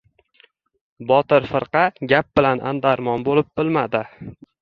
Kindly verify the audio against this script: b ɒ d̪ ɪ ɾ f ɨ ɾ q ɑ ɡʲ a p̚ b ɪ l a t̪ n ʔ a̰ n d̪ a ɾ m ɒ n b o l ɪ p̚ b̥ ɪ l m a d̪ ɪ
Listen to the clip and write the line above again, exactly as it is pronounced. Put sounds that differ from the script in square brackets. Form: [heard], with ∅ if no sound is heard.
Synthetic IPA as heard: b ɒ [t̪] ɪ ɾ f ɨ ɾ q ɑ ɡʲ a p̚ b ɪ l a [∅] n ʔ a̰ n d̪ a ɾ m ɒ n b o l ɪ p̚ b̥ ɪ l m a d̪ ɪ

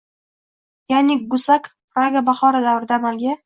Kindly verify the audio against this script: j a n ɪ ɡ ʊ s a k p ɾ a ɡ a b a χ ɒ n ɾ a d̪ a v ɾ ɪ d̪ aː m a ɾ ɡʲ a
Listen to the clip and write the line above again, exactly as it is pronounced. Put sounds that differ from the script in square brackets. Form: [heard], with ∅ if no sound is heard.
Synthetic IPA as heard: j a n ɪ ɡ ʊ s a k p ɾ a ɡ a b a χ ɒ [∅] ɾ a d̪ a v ɾ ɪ d̪ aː m a [l] ɡʲ a

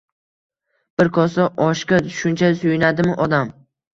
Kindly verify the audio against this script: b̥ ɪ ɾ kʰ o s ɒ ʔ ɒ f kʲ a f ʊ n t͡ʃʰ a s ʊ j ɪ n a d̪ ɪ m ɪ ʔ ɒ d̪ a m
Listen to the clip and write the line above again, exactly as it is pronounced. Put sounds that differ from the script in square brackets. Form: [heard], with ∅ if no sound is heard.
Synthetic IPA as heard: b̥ ɪ ɾ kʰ [ɒ] s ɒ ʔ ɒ [ʃ] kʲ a [ʃ] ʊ n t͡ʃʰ a s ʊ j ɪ n a d̪ ɪ m ɪ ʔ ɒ d̪ a m

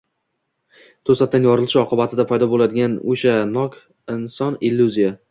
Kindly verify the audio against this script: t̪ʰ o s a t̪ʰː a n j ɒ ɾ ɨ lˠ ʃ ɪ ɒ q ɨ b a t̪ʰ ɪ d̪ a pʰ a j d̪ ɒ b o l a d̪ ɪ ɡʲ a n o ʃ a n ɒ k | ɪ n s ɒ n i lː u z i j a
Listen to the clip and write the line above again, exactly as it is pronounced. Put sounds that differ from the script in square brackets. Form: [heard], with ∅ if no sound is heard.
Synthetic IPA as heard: t̪ʰ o s a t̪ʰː a n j ɒ ɾ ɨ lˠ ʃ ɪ ɒ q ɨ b a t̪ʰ ɪ d̪ a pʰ a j d̪ ɒ b o l a d̪ ɪ ɡʲ a n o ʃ a n ɒ k | ɪ n s ɒ n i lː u z i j a

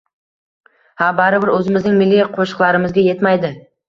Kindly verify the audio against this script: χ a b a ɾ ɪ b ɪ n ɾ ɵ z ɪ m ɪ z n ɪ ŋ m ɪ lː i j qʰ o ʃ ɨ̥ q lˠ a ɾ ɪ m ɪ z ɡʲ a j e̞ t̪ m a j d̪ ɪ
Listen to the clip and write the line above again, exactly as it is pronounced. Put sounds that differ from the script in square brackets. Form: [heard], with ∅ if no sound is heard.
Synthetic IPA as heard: [h] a b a ɾ ɪ b ɪ [∅] ɾ ɵ z ɪ m ɪ z n ɪ ŋ m ɪ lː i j qʰ o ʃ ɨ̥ q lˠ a ɾ ɪ m ɪ z ɡʲ a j e̞ t̪ m a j d̪ ɪ

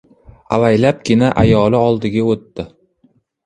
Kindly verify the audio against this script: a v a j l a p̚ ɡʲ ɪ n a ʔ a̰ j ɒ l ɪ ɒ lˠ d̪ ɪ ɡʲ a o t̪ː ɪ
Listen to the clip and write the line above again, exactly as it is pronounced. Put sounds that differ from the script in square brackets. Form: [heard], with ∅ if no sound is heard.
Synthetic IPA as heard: a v a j l a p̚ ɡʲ ɪ n a ʔ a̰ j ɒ l ɪ ɒ lˠ d̪ ɪ ɡʲ a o t̪ː ɪ

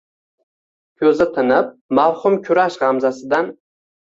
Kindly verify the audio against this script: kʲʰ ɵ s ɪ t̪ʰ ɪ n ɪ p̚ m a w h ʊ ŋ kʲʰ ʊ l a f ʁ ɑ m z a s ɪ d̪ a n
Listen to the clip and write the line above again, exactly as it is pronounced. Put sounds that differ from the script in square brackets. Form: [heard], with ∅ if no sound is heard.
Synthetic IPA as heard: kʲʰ ɵ [z] ɪ t̪ʰ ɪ n ɪ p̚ m a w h ʊ [m] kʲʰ ʊ [ɾ] a [ʃ] ʁ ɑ m z a s ɪ d̪ a n

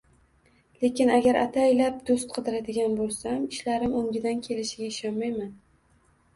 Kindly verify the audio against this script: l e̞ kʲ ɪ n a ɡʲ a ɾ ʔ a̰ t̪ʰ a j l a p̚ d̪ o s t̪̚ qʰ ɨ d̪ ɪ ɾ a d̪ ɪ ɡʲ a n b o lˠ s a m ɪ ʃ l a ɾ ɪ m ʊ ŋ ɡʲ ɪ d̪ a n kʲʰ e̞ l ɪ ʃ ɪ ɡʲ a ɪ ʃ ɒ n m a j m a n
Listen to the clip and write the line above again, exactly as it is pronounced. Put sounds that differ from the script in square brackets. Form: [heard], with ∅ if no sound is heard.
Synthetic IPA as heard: l e̞ kʲ ɪ n a ɡʲ a ɾ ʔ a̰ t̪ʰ a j l a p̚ d̪ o s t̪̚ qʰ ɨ d̪ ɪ ɾ a d̪ ɪ ɡʲ a n b o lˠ s a m ɪ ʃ l a ɾ ɪ m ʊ ŋ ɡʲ ɪ d̪ a n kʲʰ e̞ l ɪ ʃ ɪ ɡʲ a ɪ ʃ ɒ n m a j m a n

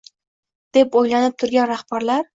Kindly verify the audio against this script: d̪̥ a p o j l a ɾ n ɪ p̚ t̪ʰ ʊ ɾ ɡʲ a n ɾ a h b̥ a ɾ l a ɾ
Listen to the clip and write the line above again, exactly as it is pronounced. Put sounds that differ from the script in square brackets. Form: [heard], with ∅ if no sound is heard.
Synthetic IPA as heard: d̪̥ [e] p o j l a [∅] n ɪ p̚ t̪ʰ ʊ ɾ ɡʲ a n ɾ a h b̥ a ɾ l a ɾ

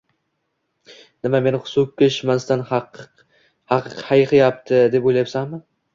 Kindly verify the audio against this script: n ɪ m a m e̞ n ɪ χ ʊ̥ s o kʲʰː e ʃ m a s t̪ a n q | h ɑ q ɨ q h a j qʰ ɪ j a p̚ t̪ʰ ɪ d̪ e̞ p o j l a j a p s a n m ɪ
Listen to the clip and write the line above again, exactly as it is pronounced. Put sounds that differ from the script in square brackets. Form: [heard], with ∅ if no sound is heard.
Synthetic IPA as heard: n ɪ m a m e̞ n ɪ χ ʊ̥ s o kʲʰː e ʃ m a s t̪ a n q | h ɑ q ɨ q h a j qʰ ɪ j a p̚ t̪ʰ ɪ d̪ e̞ p o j l a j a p s a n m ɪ

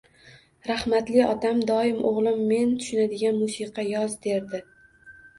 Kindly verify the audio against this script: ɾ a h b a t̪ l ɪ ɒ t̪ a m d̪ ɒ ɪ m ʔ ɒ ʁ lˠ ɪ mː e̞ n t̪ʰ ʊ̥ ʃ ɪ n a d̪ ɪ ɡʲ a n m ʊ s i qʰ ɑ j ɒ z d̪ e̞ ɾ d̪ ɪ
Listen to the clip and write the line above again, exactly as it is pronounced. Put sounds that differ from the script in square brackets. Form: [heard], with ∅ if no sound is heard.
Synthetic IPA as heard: ɾ a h [m] a t̪ l ɪ ɒ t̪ a m d̪ ɒ ɪ m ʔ [o] ʁ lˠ ɪ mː e̞ n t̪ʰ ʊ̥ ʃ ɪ n a d̪ ɪ ɡʲ a n m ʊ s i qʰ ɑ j ɒ z d̪ e̞ ɾ d̪ ɪ

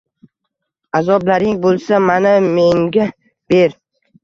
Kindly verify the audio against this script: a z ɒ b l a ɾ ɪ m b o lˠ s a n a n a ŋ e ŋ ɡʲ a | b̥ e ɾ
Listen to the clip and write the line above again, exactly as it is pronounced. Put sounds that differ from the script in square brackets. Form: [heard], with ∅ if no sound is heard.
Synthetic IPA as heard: a z ɒ b l a ɾ ɪ [ŋ] b o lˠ s a [m] a n a [m] e ŋ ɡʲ a | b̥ e ɾ

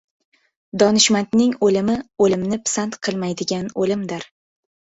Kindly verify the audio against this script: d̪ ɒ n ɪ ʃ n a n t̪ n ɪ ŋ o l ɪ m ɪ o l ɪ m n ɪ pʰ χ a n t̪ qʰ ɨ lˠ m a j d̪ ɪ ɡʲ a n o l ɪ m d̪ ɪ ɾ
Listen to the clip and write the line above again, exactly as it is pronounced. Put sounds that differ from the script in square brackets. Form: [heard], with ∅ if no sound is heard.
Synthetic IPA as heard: d̪ ɒ n ɪ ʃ [m] a n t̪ n ɪ ŋ o l ɪ m ɪ o l ɪ m n ɪ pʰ [s] a n t̪ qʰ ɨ lˠ m a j d̪ ɪ ɡʲ a n o l ɪ m d̪ ɪ ɾ

